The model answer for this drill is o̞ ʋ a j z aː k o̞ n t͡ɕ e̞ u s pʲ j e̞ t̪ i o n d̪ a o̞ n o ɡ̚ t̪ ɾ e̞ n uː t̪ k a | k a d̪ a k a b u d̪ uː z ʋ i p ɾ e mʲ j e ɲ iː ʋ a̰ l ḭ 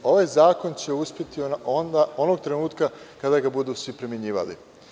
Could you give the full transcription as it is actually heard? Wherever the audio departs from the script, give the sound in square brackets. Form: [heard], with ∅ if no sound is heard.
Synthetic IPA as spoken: o̞ ʋ a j z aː k o̞ n t͡ɕ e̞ u s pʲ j e̞ t̪ i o n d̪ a o̞ n o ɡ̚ t̪ ɾ e̞ n uː t̪ k a | k a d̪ a [ɡ] a b u d̪ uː [s] ʋ i p ɾ e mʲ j e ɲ iː ʋ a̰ l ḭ

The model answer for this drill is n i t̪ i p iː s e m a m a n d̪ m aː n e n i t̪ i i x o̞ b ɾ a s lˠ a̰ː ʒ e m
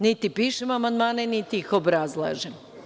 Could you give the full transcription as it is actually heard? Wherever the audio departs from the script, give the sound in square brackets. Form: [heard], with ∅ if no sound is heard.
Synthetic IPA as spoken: n i t̪ i p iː [ʃ] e m a m a n d̪ m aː n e n i t̪ i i x o̞ b ɾ a [z] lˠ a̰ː ʒ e m

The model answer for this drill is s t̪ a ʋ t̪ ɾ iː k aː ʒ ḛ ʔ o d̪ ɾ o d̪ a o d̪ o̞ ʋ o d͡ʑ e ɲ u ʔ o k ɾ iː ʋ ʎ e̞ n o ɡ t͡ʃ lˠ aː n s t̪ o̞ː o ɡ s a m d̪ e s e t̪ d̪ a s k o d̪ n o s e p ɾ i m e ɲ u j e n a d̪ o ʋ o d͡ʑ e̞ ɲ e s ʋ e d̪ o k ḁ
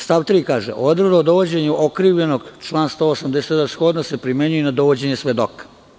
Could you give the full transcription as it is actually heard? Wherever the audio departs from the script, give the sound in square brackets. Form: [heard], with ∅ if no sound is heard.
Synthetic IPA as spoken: s t̪ a ʋ t̪ ɾ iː k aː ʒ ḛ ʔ o d̪ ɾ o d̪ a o d̪ o̞ ʋ o d͡ʑ e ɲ u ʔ o k ɾ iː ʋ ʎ e̞ n o ɡ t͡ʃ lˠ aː n s t̪ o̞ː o [∅] s a m d̪ e s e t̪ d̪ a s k o d̪ n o s e p ɾ i m e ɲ u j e n a d̪ o ʋ o d͡ʑ e̞ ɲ e s ʋ e d̪ o k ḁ

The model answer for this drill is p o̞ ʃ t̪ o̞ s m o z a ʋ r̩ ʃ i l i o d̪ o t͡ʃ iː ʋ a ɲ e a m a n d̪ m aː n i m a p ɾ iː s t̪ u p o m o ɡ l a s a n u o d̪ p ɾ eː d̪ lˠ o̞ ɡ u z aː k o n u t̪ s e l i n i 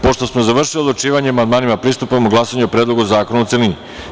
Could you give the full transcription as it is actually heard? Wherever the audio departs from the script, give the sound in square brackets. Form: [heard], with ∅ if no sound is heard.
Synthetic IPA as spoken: p o̞ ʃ t̪ o̞ s m o z a ʋ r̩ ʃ i l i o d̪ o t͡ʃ iː ʋ a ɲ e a m a n d̪ m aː n i m a p ɾ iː s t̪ u p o m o ɡ l a s a [ɲ] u o [∅] p ɾ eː d̪ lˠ o̞ ɡ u z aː k o n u t̪ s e l i n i

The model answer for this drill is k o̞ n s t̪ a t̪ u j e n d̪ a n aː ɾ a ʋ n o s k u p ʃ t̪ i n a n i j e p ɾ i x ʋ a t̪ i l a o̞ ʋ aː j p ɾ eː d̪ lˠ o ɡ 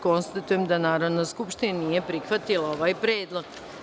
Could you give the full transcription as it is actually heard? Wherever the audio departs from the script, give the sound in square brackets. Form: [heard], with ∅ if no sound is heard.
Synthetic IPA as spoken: k o̞ n s t̪ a t̪ u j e [m] d̪ a n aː ɾ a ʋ n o s k u p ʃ t̪ i n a n i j e p ɾ i x ʋ a t̪ i l a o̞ ʋ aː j p ɾ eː d̪ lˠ o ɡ

